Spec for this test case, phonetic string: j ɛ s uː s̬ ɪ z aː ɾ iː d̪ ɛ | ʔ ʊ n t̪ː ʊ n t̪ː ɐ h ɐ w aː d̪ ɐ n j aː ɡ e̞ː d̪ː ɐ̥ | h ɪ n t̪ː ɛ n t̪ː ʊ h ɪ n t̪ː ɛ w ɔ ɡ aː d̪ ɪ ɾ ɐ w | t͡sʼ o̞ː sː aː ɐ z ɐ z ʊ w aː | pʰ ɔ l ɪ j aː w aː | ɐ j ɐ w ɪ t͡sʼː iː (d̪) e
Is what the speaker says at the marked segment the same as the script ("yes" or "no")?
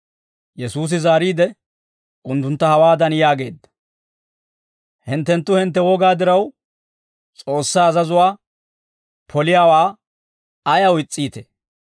no